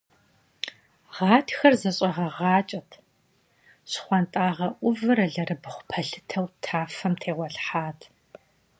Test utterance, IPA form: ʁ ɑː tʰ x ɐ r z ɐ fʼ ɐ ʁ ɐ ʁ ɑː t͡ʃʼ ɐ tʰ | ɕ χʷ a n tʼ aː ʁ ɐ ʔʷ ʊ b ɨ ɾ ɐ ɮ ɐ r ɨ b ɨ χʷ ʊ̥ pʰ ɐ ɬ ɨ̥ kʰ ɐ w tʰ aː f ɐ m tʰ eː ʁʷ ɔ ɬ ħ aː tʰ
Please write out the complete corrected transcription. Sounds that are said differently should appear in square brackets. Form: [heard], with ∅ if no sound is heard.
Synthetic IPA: ʁ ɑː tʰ x ɐ r z ɐ [ɕʼ] ɐ ʁ ɐ ʁ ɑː t͡ʃʼ ɐ tʰ | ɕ χʷ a n tʼ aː ʁ ɐ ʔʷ ʊ [v] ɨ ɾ ɐ ɮ ɐ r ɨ b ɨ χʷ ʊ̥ pʰ ɐ ɬ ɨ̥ [tʰ] ɐ w tʰ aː f ɐ m tʰ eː ʁʷ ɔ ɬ ħ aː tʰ